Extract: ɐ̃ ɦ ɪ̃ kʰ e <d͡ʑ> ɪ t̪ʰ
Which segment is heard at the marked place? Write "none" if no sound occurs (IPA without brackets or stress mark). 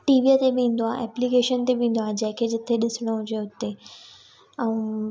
d͡ʑ